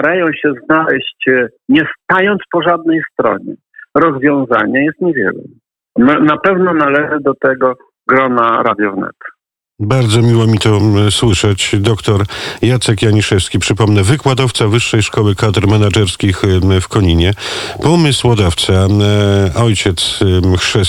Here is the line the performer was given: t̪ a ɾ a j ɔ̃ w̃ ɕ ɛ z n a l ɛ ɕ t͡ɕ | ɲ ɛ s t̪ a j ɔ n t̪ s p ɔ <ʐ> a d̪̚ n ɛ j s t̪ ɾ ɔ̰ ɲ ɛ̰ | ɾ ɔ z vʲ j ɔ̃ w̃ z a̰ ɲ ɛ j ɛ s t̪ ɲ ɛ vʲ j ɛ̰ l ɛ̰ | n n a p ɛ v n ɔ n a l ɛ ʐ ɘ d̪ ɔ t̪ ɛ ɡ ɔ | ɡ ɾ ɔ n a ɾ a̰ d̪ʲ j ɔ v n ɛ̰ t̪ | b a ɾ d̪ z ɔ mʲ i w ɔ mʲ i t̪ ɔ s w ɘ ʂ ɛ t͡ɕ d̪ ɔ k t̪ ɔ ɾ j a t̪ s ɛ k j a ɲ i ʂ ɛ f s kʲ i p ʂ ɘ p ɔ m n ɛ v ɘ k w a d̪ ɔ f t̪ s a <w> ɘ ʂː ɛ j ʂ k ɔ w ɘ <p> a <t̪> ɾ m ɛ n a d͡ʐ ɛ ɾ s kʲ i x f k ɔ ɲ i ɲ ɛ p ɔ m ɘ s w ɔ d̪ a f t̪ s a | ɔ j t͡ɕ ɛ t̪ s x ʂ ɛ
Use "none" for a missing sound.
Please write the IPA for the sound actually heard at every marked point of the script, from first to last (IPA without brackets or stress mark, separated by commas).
ʐ, v, k, d̪